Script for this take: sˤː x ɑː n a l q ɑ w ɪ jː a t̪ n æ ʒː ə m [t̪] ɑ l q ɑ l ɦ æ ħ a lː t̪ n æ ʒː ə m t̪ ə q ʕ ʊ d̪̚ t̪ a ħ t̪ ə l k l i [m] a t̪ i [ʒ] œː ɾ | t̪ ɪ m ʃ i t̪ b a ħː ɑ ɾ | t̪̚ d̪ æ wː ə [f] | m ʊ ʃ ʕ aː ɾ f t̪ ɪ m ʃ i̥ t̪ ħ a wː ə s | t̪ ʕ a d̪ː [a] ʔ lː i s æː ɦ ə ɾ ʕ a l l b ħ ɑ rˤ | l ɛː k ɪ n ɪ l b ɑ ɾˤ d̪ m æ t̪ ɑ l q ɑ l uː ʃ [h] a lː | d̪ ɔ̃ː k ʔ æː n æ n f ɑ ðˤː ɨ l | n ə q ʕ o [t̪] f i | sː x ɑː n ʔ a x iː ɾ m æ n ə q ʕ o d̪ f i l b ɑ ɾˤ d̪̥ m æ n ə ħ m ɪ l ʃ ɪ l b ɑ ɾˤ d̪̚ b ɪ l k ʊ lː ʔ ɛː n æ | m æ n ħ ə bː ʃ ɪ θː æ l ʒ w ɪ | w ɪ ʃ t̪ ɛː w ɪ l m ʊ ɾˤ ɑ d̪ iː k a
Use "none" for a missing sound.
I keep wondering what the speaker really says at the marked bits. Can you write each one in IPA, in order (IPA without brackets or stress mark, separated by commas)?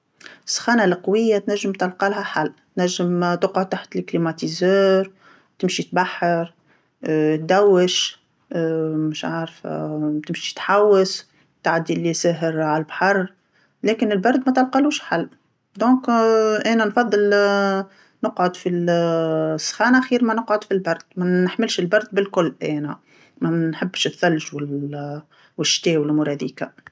t̪, m, z, ʃ, i, ħ, d̪